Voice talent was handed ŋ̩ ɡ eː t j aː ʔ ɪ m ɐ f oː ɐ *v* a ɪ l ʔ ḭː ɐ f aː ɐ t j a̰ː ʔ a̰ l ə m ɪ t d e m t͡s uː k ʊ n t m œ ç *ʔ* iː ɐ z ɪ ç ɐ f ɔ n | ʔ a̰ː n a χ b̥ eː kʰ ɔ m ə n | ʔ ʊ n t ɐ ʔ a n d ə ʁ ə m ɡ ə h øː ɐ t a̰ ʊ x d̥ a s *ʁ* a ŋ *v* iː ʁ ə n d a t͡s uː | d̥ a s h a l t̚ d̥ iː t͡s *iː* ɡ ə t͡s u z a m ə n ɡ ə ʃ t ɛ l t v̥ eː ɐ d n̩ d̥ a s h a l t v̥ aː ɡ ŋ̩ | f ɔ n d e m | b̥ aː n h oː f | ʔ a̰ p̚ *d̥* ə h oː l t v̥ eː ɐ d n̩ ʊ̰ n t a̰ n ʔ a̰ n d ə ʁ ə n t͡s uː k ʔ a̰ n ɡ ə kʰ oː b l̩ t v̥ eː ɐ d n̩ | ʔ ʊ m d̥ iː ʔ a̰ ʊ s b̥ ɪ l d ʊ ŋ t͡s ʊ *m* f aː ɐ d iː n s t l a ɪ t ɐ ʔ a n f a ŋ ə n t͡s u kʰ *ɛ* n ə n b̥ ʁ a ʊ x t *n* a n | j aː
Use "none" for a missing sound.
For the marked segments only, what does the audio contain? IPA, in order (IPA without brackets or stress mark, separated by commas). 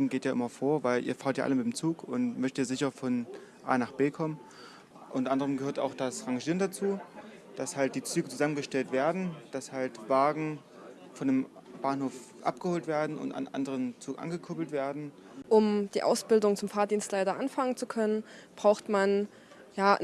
v, t, ʁ, ʒ, yː, ɡ̥, m, œ, m